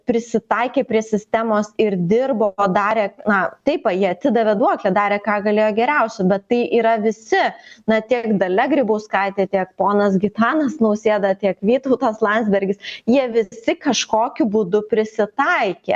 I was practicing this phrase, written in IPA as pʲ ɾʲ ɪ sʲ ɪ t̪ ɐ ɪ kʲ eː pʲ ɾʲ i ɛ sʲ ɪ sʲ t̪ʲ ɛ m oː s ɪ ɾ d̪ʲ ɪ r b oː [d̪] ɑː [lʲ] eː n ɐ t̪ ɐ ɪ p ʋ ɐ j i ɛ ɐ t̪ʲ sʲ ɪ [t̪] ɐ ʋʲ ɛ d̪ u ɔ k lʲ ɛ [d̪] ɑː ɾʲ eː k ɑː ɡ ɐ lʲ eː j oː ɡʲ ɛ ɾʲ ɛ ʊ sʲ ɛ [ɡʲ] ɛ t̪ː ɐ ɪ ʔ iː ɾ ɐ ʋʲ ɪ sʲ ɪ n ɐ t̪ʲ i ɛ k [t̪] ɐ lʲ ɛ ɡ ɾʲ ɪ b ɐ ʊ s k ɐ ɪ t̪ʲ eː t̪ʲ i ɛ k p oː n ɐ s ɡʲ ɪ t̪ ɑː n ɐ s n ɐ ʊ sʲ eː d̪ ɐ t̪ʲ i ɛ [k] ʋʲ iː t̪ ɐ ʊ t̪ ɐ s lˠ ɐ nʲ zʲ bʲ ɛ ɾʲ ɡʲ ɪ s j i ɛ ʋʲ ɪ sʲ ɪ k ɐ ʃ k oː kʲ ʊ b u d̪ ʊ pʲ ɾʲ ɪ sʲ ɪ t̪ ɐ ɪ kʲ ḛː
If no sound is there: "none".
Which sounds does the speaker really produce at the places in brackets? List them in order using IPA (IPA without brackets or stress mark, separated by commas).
d̪, ɾʲ, d̪, d̪, bʲ, d̪, k